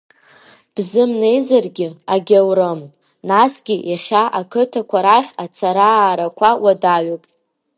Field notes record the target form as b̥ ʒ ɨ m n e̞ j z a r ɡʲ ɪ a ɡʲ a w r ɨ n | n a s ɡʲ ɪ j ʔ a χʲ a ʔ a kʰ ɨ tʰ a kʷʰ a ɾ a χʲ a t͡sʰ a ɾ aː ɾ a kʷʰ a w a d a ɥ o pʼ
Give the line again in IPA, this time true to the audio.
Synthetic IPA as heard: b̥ z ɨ m n e̞ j z a r ɡʲ ɪ a ɡʲ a w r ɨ m | n a s ɡʲ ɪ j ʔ a χʲ a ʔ a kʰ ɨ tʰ a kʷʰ a ɾ a χʲ a t͡sʰ a ɾ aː ɾ a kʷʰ a w a d a ɥ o pʼ